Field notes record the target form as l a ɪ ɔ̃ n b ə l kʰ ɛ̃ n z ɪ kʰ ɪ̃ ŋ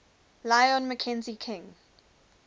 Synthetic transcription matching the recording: l a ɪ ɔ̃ n m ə kʰ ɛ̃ n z i kʰ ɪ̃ ŋ